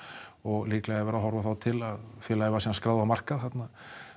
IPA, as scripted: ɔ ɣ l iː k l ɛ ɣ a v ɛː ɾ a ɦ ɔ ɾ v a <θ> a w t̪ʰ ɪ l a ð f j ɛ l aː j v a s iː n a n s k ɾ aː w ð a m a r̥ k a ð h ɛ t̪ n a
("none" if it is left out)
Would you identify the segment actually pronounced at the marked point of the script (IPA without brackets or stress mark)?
θ